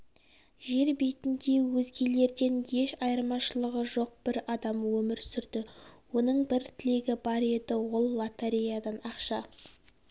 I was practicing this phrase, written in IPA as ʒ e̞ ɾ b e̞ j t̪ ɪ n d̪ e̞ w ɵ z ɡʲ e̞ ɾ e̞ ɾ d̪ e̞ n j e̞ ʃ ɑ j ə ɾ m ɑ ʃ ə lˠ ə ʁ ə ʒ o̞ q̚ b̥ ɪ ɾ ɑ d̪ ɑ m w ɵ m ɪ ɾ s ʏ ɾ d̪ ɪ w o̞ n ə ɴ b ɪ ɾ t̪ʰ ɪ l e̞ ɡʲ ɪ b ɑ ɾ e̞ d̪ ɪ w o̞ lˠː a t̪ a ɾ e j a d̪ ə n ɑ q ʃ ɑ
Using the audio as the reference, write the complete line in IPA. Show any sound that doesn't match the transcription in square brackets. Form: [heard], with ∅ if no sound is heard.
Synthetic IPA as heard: ʒ e̞ ɾ b e̞ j t̪ ɪ n d̪ e̞ w ɵ z ɡʲ e̞ [l] e̞ ɾ d̪ e̞ n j e̞ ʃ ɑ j ə ɾ m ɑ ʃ ə lˠ ə ʁ ə ʒ o̞ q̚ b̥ ɪ ɾ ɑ d̪ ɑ m w ɵ m ɪ ɾ s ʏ ɾ d̪ ɪ w o̞ n ə ɴ b ɪ ɾ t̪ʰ ɪ l e̞ ɡʲ ɪ b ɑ ɾ e̞ d̪ ɪ w o̞ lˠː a t̪ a ɾ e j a d̪ [ɑ] n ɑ q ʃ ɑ